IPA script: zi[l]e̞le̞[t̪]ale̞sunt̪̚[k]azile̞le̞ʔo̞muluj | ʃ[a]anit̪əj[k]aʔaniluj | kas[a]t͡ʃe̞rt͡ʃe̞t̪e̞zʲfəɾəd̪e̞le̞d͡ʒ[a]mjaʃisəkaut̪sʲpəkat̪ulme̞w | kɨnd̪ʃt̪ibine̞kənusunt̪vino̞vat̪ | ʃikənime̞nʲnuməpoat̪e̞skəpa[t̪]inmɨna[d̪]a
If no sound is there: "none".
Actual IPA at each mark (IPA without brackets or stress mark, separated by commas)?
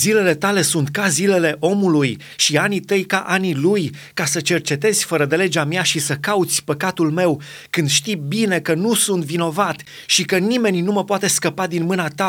l, t̪, k, i, k, ə, a, d̪, t̪